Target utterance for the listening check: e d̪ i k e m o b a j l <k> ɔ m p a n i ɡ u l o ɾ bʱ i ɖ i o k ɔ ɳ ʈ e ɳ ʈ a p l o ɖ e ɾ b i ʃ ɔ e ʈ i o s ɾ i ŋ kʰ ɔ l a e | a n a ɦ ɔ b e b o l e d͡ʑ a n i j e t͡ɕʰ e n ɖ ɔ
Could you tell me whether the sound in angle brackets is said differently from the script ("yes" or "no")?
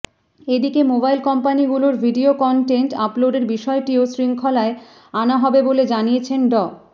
no